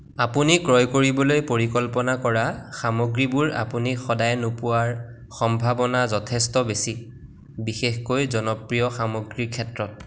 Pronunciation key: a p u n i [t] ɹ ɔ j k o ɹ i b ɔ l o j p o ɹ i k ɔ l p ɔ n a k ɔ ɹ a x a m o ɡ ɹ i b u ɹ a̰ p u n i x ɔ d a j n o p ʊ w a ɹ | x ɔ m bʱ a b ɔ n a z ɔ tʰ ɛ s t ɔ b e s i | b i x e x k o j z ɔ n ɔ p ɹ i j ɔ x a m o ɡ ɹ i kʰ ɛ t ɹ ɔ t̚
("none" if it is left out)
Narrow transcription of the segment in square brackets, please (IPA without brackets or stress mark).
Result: k